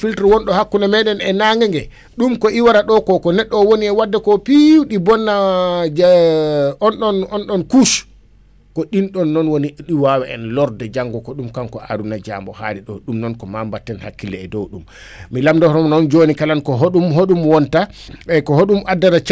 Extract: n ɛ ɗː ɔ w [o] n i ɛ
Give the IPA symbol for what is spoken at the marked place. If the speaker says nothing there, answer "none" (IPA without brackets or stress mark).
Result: o